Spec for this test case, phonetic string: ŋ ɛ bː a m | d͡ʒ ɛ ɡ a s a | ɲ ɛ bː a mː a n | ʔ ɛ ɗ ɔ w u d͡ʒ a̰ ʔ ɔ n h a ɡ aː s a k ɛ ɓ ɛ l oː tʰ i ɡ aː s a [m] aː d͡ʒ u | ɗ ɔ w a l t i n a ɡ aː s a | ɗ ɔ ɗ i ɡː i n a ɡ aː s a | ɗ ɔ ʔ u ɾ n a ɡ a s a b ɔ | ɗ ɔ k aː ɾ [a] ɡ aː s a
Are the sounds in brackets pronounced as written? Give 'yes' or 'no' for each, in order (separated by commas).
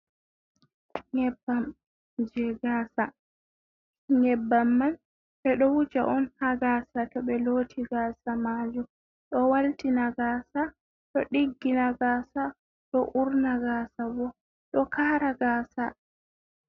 yes, yes